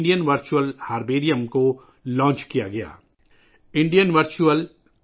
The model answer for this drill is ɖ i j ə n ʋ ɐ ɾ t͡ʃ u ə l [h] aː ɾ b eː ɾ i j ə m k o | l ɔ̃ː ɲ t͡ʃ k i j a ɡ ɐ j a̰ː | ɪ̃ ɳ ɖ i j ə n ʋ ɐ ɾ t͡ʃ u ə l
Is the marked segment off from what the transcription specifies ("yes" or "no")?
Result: no